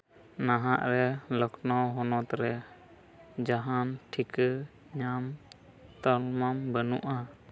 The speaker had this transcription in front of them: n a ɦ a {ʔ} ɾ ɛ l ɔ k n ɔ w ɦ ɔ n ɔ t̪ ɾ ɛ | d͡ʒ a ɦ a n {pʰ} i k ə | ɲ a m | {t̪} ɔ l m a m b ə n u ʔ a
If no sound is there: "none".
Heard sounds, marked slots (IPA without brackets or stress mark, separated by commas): ʔ, ʈʰ, t̪